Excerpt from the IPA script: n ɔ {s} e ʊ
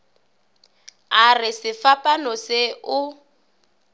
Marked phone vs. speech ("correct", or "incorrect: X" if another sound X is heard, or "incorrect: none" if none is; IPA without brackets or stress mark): correct